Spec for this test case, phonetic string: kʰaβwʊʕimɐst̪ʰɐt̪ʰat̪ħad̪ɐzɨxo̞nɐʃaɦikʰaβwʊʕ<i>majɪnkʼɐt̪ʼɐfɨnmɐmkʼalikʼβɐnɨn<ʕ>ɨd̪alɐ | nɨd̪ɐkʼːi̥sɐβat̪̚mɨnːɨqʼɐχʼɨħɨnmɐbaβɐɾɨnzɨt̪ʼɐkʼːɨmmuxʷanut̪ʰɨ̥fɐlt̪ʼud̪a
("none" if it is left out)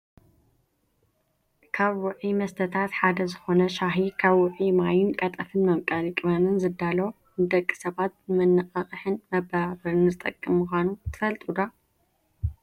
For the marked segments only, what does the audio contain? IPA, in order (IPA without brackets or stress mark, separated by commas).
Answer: i, z